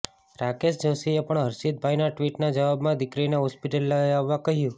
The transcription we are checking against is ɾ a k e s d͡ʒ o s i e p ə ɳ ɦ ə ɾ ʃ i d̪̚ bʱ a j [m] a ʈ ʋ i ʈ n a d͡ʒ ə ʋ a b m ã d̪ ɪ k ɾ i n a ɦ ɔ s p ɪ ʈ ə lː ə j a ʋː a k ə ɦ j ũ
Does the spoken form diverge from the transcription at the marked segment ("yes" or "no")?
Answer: yes